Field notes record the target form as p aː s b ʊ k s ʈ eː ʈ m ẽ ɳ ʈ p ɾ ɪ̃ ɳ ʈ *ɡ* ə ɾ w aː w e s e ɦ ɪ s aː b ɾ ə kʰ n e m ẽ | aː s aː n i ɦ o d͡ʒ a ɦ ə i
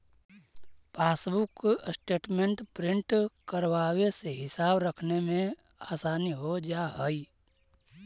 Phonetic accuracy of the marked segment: incorrect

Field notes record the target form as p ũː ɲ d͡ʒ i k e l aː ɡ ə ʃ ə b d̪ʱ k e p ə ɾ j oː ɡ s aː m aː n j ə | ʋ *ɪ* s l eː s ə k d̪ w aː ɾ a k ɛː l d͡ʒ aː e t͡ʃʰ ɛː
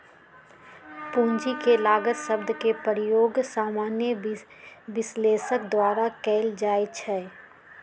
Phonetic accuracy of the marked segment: correct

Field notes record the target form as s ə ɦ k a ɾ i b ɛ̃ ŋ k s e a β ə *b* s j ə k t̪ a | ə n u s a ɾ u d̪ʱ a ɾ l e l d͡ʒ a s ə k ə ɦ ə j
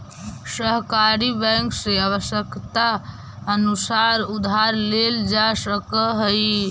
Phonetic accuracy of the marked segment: incorrect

